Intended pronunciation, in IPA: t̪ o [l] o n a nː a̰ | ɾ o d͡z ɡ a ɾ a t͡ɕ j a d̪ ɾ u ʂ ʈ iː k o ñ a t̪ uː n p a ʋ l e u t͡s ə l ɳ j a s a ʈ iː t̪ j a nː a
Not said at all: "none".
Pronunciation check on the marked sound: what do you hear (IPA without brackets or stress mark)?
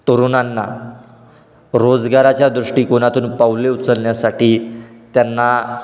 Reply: ɾ